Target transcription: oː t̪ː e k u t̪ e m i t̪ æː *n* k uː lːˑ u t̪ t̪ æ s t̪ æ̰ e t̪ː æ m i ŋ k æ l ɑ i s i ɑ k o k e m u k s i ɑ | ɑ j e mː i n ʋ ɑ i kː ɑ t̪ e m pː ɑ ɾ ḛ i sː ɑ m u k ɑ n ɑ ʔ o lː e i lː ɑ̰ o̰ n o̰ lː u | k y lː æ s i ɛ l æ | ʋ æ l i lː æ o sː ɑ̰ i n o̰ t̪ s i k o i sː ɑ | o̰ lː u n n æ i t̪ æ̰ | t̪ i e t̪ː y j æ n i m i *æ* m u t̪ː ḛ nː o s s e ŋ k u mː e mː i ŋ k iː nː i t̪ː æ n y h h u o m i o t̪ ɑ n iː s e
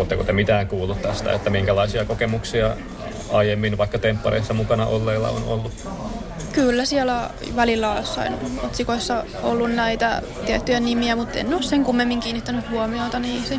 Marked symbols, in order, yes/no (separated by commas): no, yes